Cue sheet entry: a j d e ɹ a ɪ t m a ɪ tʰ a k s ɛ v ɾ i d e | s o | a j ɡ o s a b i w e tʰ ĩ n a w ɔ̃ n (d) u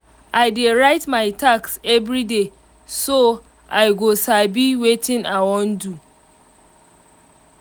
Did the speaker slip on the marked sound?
no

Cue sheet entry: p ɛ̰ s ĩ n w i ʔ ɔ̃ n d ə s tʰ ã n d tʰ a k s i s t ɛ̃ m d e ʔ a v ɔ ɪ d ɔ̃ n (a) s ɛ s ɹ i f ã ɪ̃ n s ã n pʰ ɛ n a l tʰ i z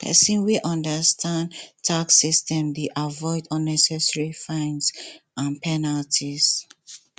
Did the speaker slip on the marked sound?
yes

